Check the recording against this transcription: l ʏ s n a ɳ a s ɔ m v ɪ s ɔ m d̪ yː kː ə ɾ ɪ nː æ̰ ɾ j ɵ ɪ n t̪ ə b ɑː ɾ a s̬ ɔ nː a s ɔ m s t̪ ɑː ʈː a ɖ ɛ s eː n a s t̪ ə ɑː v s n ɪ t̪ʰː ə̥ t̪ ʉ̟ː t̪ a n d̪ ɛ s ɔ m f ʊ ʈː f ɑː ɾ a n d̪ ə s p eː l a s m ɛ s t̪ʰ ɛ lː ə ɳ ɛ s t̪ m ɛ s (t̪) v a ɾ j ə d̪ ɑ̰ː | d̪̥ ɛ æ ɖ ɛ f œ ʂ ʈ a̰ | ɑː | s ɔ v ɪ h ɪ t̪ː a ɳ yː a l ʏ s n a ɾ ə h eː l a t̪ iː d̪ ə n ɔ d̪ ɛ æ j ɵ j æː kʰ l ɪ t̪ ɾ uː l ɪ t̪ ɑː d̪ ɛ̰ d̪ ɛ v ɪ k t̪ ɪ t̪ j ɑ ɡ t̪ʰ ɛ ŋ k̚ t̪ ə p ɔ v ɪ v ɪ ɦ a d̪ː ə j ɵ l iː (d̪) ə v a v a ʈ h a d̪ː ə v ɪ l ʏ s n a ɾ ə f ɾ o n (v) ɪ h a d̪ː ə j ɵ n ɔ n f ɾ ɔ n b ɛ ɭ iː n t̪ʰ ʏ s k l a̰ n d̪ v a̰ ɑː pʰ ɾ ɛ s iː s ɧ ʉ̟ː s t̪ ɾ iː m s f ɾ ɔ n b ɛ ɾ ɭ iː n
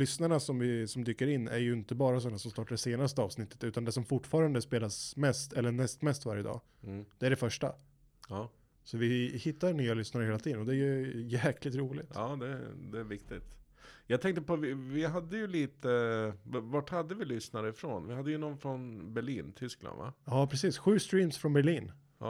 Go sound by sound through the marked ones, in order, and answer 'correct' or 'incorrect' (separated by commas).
correct, incorrect, correct